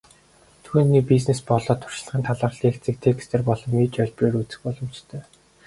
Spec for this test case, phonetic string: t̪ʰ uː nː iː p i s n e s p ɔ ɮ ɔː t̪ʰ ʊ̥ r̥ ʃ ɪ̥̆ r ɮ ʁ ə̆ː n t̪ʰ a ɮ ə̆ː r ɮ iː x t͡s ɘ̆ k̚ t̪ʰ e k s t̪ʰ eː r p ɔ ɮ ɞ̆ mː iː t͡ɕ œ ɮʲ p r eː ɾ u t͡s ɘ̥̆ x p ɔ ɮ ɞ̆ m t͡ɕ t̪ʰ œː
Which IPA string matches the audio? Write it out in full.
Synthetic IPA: t̪ʰ uː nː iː p i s n e s p ɔ ɮ ɔː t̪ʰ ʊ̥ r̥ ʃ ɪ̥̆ ɮ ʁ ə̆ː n t̪ʰ a ɮ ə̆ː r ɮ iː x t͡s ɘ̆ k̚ t̪ʰ e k s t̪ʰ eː r p ɔ ɮ ɞ̆ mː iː t͡ɕ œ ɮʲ p r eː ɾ u t͡s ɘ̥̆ x p ɔ ɮ ɞ̆ m t͡ɕ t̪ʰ œː